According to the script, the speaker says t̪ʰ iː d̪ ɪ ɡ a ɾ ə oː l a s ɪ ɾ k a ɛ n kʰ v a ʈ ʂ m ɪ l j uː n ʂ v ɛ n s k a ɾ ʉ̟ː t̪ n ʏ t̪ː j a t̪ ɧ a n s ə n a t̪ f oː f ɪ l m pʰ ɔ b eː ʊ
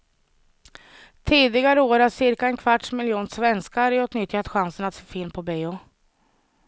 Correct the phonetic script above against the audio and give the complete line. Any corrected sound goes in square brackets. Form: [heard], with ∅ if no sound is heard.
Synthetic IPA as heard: t̪ʰ iː d̪ ɪ ɡ a ɾ ə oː [ɾ] a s ɪ ɾ k a ɛ n kʰ v a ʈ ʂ m ɪ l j uː n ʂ v ɛ n s k a ɾ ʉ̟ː t̪ n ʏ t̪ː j a t̪ ɧ a n s ə n a t̪ f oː f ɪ l m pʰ ɔ b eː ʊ